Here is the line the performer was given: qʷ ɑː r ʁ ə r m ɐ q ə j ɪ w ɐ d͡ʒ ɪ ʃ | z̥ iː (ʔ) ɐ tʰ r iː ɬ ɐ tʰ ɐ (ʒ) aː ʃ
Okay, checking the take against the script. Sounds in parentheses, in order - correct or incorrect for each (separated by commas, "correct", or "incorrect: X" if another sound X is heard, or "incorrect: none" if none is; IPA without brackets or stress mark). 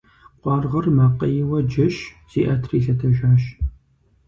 correct, correct